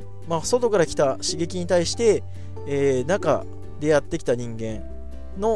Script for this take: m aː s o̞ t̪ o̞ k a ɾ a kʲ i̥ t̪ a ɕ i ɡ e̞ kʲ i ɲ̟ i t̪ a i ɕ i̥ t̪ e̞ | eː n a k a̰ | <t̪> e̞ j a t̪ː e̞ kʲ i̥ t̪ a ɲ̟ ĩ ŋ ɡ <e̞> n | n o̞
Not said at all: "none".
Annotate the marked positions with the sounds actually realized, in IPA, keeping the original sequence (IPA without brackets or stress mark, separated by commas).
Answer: d̪, ẽ̞